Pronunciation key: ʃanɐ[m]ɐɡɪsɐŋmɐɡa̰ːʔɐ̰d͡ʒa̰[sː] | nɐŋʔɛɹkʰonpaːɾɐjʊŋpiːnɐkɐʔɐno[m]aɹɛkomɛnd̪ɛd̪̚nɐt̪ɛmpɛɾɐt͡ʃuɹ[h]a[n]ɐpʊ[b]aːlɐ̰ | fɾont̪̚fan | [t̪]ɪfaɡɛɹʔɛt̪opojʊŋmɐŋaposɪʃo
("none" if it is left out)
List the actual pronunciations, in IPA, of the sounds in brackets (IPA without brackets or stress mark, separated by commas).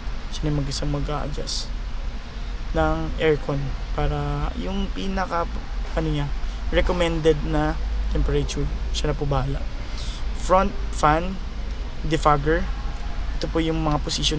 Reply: m, s, ɲ, ʃ, n, b, d̪